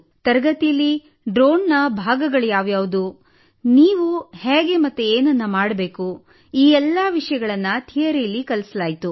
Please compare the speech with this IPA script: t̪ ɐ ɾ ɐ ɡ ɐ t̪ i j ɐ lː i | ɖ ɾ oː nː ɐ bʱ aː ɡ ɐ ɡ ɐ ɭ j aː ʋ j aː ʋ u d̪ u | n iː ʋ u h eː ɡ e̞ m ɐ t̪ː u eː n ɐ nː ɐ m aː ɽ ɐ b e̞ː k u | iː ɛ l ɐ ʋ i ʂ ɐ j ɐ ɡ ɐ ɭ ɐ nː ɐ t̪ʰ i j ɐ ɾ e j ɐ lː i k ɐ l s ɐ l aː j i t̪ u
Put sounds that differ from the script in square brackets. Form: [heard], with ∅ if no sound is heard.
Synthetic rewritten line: t̪ ɐ ɾ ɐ ɡ ɐ t̪ i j ɐ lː i | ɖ ɾ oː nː ɐ bʱ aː ɡ ɐ ɡ ɐ ɭ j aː ʋ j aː ʋ u d̪ u | n iː ʋ u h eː ɡ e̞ m ɐ t̪ː u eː n ɐ nː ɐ m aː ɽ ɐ b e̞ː k u | iː ɛ [lː] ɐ ʋ i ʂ ɐ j ɐ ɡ ɐ ɭ ɐ nː ɐ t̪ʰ i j ɐ ɾ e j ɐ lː i k ɐ l s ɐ l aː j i t̪ u

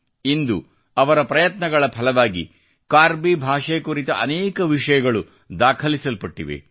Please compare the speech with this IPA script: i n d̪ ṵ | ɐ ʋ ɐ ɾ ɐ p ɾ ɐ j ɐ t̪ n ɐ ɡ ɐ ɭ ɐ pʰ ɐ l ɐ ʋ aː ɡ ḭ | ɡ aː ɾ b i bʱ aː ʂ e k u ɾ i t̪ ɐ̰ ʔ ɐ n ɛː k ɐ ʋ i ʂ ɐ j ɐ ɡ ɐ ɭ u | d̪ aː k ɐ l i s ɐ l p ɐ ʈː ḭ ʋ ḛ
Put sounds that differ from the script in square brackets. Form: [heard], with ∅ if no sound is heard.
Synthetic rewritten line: i n d̪ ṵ | ɐ ʋ ɐ ɾ ɐ p ɾ ɐ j ɐ t̪ n ɐ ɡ ɐ ɭ ɐ pʰ ɐ l ɐ ʋ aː ɡ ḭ | [k] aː ɾ b i bʱ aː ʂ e k u ɾ i t̪ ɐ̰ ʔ ɐ n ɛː k ɐ ʋ i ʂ ɐ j ɐ ɡ ɐ ɭ u | d̪ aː [kʰ] ɐ l i s ɐ l p ɐ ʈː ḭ ʋ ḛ

